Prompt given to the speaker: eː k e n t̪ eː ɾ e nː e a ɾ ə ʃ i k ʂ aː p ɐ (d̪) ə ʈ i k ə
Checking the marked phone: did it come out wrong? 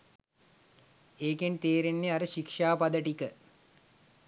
no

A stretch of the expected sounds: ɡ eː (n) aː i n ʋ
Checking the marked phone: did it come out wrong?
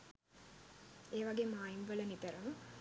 yes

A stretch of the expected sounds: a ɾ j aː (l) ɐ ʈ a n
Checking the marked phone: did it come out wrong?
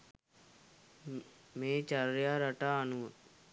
yes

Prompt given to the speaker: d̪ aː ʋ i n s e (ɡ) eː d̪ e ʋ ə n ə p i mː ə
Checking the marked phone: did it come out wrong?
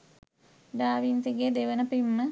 no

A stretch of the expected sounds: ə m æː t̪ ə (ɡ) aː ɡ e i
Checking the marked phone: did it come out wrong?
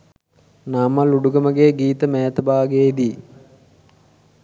yes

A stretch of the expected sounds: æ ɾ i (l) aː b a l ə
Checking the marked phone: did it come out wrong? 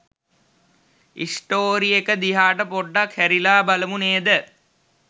no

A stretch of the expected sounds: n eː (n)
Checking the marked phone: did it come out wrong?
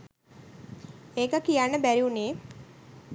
yes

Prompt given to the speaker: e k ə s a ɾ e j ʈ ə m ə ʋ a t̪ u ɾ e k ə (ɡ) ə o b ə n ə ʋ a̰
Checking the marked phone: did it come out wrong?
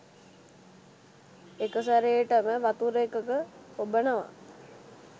yes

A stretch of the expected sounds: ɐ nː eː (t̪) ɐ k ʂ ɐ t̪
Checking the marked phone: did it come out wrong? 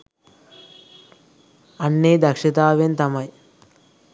yes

